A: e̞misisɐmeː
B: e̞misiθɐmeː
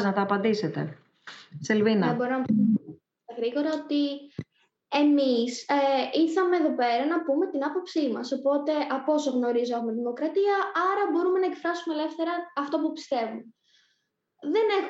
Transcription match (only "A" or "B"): B